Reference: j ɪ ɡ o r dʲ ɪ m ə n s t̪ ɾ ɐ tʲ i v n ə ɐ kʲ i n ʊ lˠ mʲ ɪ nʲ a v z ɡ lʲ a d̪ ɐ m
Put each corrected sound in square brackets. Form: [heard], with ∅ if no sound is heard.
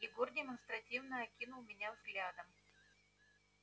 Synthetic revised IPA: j ɪ ɡ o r dʲ ɪ m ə n s t̪ ɾ ɐ tʲ i v n ə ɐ kʲ i n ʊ lˠ mʲ ɪ nʲ a v z ɡ lʲ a d̪ [ə] m